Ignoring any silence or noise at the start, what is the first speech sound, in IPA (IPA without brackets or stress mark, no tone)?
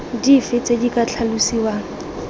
d